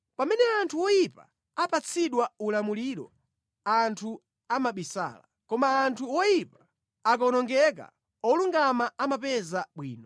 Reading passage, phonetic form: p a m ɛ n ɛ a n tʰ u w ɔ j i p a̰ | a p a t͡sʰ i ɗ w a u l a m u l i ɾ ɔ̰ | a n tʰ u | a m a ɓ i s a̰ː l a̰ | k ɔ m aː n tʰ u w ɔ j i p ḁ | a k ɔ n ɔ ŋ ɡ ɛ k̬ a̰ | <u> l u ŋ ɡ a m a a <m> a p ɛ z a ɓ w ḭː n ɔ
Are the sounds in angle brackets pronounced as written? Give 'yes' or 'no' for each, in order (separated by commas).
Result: no, yes